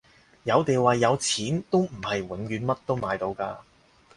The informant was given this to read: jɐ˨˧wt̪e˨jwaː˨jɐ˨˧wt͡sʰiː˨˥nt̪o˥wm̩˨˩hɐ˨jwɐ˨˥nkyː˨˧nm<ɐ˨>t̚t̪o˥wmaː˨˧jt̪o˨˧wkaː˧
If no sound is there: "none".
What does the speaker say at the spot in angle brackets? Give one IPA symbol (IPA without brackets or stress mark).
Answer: ɐ˥